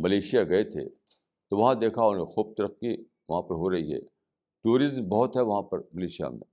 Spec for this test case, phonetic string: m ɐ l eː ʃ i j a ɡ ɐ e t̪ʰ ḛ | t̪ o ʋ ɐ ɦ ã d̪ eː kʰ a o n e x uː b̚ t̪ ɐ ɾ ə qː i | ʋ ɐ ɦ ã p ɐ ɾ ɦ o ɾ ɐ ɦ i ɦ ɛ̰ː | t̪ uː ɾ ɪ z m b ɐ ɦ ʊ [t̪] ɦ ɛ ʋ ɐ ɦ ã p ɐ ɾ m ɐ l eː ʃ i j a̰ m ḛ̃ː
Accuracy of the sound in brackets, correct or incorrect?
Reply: correct